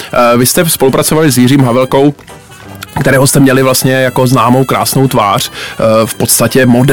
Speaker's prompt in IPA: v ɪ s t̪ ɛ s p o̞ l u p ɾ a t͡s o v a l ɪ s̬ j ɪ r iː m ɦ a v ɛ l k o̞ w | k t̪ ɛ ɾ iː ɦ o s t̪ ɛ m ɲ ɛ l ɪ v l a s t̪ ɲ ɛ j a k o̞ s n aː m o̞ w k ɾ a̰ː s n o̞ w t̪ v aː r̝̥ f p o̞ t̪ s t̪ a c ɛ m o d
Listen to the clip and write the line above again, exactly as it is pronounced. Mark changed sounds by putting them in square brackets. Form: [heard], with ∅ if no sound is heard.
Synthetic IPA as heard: v ɪ s t̪ ɛ s p o̞ l u p ɾ a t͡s o v a l ɪ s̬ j ɪ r iː m ɦ a v ɛ l k o̞ w | k t̪ ɛ ɾ [ɛː] ɦ o s t̪ ɛ m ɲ ɛ l ɪ v l a s t̪ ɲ ɛ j a k o̞ [z] n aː m o̞ w k ɾ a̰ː s n o̞ w t̪ v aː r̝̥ f p o̞ t̪ s t̪ a c ɛ m o d